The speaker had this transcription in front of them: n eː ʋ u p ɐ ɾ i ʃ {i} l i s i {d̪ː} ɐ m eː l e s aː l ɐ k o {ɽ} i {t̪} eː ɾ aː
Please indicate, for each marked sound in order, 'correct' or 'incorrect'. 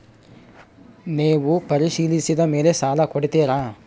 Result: incorrect: iː, incorrect: d̪, correct, correct

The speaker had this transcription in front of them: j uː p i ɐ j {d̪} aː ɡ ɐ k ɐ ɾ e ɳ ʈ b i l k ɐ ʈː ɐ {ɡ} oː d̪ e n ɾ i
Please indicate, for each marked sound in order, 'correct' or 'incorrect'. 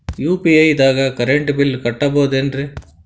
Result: correct, incorrect: b

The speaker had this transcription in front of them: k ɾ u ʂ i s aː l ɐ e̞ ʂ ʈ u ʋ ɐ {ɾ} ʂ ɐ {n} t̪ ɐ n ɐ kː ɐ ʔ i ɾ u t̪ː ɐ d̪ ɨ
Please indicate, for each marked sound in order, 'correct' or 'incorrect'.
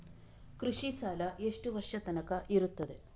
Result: incorrect: r, incorrect: none

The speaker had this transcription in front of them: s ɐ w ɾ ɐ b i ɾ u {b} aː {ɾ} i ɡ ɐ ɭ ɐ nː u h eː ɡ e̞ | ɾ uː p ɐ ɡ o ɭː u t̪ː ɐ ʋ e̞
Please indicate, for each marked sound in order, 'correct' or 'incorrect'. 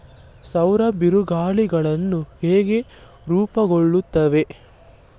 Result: incorrect: ɡ, incorrect: ɭ

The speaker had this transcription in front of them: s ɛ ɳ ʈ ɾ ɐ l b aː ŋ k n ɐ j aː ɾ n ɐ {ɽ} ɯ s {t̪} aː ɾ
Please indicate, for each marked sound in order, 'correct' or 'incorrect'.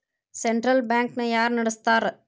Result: correct, correct

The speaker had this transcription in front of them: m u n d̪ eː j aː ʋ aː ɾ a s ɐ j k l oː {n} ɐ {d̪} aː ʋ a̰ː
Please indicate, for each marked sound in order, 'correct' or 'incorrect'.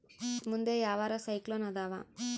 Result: correct, correct

